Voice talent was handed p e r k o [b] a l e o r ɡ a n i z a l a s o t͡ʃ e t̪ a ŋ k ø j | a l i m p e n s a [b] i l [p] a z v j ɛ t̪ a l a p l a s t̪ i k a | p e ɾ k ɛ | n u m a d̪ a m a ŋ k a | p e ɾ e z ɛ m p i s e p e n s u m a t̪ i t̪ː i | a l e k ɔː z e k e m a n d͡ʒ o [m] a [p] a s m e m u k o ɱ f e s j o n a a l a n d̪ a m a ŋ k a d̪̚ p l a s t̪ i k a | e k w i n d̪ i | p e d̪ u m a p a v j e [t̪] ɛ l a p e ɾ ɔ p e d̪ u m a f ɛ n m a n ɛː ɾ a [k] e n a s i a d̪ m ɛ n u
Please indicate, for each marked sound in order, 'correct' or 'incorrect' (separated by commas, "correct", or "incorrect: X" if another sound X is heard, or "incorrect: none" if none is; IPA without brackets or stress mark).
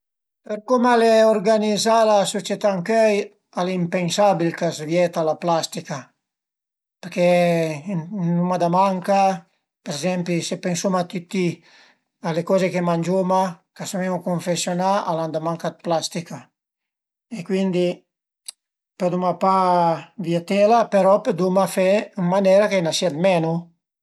incorrect: m, correct, incorrect: k, correct, incorrect: k, correct, correct